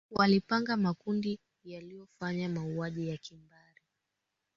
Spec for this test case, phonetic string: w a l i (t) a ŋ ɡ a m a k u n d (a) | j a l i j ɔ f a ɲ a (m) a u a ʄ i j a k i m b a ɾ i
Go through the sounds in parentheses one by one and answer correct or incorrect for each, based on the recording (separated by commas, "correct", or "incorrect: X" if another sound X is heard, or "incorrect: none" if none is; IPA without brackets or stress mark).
incorrect: p, incorrect: i, correct